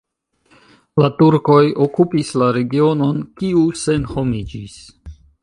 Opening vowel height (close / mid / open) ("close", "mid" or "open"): open